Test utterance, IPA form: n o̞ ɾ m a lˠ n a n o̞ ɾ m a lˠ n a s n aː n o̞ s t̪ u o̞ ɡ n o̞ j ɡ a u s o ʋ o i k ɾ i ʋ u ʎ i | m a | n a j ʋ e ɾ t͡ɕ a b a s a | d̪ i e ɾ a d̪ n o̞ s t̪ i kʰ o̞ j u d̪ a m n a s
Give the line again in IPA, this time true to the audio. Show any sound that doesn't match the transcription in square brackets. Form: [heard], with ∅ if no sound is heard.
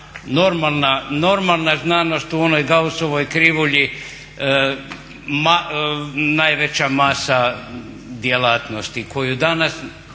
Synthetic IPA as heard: n o̞ ɾ m a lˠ n a n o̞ ɾ m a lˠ n a [z] n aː n o̞ s t̪ u o̞ [∅] n o̞ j ɡ a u s o ʋ o [j] k ɾ i ʋ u ʎ i | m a | n a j ʋ e [∅] t͡ɕ a [m] a s a | d̪ [j] e [l] a [t̪] n o̞ s t̪ i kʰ o̞ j u d̪ a [∅] n a s